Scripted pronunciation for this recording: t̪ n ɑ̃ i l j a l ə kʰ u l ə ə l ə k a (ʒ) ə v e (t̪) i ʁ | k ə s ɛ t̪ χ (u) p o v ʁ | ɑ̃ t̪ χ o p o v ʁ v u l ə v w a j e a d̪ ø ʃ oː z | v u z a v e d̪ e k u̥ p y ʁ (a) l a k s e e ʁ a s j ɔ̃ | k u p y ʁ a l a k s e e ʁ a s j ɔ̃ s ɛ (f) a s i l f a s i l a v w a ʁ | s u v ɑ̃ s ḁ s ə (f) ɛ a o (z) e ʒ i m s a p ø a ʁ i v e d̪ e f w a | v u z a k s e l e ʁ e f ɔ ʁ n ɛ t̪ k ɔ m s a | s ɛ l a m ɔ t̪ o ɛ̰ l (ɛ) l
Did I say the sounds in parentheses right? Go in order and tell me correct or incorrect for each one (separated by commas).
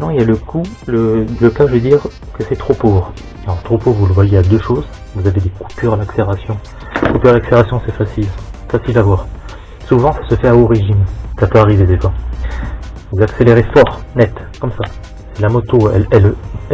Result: correct, incorrect, incorrect, correct, correct, correct, incorrect, correct